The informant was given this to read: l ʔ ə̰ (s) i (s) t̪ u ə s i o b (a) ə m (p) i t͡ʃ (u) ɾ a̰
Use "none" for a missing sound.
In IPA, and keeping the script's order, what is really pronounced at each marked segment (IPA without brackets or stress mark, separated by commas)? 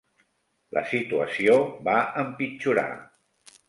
s, none, a, p, u